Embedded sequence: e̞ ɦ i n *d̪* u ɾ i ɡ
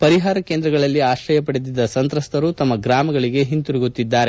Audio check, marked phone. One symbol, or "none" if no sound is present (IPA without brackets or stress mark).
t̪